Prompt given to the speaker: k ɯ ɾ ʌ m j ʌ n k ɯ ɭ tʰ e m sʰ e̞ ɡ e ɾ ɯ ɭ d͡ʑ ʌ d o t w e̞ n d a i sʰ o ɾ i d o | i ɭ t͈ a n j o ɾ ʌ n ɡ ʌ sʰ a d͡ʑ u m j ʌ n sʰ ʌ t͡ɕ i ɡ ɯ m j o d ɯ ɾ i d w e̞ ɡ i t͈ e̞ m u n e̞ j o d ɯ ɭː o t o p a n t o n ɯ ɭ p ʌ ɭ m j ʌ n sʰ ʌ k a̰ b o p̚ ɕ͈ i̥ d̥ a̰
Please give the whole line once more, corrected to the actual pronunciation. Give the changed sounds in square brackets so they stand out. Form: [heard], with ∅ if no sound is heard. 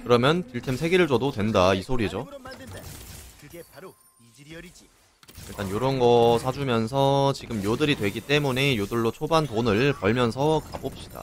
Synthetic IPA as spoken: k ɯ ɾ ʌ m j ʌ n [t] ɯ ɭ tʰ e m sʰ e̞ ɡ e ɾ ɯ ɭ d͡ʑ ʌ d o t w e̞ n d a i sʰ o ɾ i [d͡ʑ] o | i ɭ t͈ a n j o ɾ ʌ n ɡ ʌ sʰ a d͡ʑ u m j ʌ n sʰ ʌ t͡ɕ i ɡ ɯ m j o d ɯ ɾ i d w e̞ ɡ i t͈ e̞ m u n e̞ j o d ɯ ɭː o [t͡ɕʰ] o [b] a n t o n ɯ ɭ p ʌ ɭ m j ʌ n sʰ ʌ k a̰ b o p̚ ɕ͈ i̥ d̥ a̰

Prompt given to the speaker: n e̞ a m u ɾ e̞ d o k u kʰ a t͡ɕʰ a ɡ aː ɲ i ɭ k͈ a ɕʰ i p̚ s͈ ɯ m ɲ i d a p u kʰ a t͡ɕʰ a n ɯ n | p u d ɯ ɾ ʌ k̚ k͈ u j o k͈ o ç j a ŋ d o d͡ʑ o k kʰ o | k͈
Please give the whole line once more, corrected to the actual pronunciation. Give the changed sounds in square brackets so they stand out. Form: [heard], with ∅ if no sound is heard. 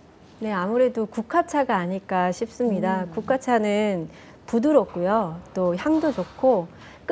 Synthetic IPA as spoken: n e̞ a m u ɾ e̞ d o k u kʰ a t͡ɕʰ a ɡ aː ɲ i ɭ k͈ a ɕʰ i p̚ s͈ ɯ m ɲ i d a [k] u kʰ a t͡ɕʰ a n ɯ n | p u d ɯ ɾ ʌ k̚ k͈ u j o [t͈] o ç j a ŋ d o d͡ʑ o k kʰ o | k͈

